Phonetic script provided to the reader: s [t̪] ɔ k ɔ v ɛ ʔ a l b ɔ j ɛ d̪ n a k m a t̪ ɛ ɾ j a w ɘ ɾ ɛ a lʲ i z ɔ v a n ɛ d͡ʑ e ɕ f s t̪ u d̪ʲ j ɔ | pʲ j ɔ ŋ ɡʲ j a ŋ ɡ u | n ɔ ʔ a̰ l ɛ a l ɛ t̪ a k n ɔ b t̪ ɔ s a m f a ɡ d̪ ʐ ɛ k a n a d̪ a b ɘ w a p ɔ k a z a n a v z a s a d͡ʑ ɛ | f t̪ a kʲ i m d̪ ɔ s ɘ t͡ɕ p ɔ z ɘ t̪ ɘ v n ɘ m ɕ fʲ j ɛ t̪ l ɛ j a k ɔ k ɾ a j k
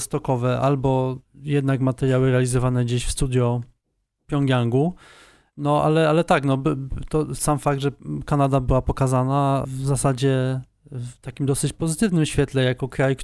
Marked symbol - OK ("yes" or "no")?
yes